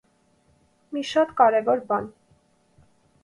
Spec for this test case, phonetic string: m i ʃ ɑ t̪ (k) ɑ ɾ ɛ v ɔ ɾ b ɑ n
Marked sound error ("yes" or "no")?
no